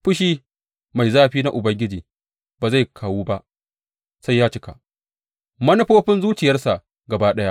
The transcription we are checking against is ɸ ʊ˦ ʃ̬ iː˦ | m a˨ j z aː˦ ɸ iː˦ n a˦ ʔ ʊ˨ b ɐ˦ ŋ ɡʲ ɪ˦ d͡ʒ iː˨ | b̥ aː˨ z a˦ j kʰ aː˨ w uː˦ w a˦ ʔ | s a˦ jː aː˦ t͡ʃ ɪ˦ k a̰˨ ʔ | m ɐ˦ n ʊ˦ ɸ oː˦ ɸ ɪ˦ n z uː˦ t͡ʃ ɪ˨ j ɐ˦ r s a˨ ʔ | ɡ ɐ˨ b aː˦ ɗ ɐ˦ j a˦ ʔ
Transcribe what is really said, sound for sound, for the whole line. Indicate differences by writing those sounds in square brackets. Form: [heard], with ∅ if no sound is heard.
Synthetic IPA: ɸ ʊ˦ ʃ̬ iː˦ | m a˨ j z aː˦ ɸ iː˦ n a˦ ʔ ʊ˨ b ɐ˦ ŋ ɡʲ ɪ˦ d͡ʒ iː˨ | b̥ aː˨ z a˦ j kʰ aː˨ w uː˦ [b] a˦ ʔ | s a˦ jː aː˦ t͡ʃ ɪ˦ k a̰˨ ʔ | m ɐ˦ n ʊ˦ ɸ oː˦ ɸ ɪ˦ n z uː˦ t͡ʃ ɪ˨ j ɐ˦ r s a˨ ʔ | ɡ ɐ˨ b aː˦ ɗ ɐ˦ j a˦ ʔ